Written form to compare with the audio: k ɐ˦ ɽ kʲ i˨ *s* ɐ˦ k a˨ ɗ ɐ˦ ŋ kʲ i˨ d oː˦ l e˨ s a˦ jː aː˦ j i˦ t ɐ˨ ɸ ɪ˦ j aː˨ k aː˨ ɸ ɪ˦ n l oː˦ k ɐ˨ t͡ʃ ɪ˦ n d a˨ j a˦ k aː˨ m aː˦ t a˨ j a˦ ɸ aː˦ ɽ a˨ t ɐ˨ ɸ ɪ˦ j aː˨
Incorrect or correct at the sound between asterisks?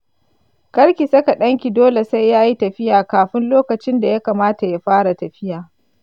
correct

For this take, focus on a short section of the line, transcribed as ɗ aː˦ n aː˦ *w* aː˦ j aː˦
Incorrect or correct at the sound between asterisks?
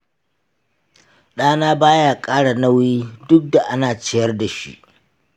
incorrect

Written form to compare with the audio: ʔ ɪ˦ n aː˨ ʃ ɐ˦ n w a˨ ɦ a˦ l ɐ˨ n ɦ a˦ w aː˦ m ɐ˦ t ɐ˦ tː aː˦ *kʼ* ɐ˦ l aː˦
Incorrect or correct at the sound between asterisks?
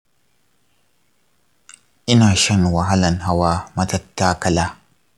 incorrect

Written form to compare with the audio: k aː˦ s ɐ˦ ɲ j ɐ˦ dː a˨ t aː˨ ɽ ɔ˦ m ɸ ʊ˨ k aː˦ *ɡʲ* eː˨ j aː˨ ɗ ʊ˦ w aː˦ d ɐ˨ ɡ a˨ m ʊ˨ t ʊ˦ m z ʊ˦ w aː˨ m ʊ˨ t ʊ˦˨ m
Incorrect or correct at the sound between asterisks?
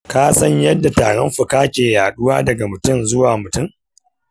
incorrect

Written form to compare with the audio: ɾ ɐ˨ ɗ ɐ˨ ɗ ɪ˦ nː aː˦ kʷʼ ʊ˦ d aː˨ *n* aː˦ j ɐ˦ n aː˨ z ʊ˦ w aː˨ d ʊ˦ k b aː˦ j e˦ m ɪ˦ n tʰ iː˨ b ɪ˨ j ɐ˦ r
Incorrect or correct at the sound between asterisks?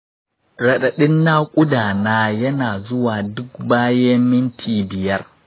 correct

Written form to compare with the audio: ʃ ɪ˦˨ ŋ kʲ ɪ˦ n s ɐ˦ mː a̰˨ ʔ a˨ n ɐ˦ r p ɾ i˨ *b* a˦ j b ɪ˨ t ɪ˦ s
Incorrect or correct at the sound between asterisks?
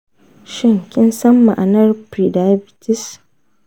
incorrect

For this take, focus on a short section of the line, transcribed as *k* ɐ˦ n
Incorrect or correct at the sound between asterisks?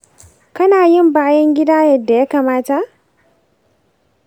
correct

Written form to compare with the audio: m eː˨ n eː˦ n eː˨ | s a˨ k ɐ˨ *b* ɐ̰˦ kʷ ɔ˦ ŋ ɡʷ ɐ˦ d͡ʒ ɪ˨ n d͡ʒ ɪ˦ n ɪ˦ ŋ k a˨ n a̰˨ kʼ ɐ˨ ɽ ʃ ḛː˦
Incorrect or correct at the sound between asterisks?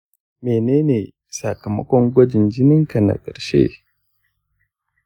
incorrect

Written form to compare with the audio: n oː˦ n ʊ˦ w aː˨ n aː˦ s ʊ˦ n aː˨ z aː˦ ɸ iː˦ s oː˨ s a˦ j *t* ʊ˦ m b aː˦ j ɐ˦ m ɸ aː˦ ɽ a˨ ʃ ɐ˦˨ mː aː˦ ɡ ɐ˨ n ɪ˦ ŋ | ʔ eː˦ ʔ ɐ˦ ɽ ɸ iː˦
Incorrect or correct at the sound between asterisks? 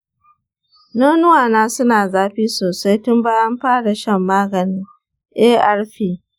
correct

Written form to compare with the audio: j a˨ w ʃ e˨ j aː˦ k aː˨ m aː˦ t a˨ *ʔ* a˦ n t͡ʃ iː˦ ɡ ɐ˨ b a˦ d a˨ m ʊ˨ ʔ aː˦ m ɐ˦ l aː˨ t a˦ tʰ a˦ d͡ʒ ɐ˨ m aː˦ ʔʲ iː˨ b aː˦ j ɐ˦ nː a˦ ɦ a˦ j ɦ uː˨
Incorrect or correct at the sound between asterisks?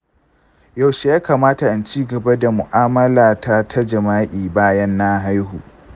correct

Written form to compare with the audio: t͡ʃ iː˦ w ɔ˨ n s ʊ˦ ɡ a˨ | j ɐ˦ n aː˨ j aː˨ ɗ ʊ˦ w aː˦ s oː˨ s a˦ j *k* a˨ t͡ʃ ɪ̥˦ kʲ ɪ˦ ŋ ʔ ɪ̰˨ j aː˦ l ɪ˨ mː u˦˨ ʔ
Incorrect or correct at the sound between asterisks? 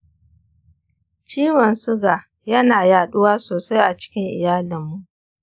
incorrect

